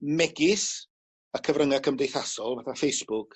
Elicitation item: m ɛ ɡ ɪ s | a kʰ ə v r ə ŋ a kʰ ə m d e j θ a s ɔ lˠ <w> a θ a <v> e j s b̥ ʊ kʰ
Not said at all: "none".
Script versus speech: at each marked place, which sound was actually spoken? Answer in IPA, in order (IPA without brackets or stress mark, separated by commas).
v, f